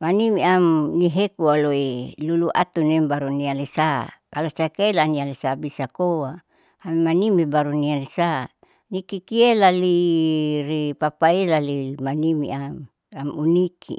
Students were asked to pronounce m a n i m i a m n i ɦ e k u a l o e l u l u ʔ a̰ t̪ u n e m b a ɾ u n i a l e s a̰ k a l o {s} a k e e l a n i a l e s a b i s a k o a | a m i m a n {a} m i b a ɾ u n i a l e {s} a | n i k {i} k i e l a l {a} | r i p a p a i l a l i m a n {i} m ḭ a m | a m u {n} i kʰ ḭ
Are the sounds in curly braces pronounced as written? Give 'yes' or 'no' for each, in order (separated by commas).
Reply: yes, no, yes, yes, no, yes, yes